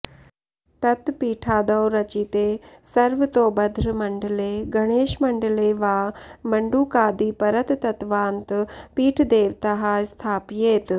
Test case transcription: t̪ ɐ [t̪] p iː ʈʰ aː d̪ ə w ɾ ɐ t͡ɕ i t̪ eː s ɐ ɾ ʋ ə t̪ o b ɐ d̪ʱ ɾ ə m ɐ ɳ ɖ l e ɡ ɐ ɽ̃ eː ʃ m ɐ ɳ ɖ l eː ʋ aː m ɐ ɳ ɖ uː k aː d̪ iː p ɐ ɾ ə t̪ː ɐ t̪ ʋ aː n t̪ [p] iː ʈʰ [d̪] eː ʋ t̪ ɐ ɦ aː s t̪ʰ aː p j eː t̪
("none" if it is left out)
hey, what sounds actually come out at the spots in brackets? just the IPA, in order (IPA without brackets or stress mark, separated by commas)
t̪, p, d̪